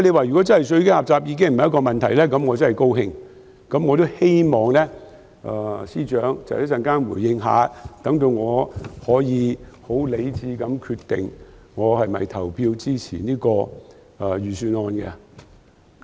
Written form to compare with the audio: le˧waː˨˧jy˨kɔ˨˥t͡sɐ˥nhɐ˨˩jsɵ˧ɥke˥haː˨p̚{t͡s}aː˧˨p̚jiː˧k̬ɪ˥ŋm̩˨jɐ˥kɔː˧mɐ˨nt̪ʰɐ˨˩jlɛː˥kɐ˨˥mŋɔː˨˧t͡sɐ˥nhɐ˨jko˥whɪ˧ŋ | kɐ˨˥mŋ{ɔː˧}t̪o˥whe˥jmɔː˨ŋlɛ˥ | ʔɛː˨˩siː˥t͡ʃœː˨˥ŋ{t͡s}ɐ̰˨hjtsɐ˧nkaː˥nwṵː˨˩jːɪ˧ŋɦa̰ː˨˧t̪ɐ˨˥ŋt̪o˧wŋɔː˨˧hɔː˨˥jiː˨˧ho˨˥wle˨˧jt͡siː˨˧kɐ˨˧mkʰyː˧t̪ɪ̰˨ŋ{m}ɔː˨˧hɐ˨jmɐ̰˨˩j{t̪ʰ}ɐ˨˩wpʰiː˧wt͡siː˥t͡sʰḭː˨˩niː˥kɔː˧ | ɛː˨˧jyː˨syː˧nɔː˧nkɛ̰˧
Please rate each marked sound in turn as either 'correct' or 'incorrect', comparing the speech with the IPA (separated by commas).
correct, correct, correct, incorrect, correct